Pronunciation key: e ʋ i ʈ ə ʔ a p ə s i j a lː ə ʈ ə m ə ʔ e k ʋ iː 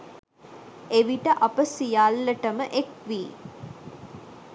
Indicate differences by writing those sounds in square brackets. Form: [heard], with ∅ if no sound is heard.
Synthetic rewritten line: e ʋ i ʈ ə ʔ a p ə s i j a lː ə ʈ ə m ə ʔ e k ʋ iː